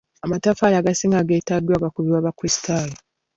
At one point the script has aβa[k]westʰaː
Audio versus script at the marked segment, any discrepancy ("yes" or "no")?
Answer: no